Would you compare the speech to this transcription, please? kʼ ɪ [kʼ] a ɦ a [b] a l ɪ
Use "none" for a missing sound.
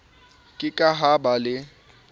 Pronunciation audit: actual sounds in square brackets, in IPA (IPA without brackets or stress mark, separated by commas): kʼ, b